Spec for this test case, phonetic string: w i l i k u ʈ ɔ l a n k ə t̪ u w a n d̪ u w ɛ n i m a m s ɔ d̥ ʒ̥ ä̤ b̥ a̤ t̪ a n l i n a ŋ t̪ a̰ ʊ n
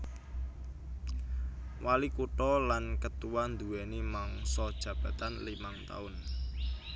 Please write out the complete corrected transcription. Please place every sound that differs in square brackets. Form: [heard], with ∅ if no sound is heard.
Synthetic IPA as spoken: w [a] l i k u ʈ ɔ l a n k ə t̪ u w a n d̪ u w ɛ n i m a [ŋ] s ɔ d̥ ʒ̥ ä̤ b̥ a̤ t̪ a n l i [m] a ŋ t̪ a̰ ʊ n